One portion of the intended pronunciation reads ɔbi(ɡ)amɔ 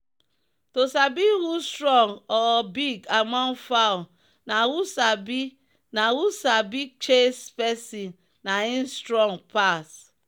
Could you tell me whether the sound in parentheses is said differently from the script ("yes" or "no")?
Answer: no